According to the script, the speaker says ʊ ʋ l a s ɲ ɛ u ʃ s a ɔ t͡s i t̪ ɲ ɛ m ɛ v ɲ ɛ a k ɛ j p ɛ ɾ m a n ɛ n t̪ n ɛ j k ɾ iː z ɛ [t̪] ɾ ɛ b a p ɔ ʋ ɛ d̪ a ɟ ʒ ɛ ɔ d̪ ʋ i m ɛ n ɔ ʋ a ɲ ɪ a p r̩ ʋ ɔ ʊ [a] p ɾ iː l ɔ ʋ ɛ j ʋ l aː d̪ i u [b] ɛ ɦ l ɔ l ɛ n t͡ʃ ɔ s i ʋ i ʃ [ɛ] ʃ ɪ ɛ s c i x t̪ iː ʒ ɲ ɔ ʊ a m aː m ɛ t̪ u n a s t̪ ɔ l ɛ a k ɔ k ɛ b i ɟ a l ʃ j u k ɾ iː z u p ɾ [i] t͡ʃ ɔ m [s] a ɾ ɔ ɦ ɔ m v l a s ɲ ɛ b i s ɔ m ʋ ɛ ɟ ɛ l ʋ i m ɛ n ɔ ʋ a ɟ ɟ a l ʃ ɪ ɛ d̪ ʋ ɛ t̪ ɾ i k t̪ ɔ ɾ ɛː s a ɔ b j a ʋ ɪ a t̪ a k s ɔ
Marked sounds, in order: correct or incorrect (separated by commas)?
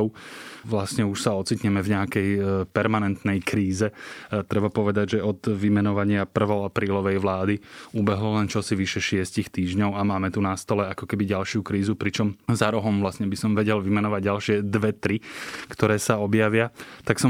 correct, correct, correct, correct, correct, incorrect